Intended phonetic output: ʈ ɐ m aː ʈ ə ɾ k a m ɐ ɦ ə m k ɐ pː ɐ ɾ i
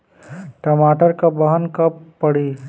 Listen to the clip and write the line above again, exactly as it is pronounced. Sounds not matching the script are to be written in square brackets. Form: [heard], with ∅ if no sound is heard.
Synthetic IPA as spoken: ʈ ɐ m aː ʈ ə ɾ k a [b] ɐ ɦ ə [n] k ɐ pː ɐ [ɽ] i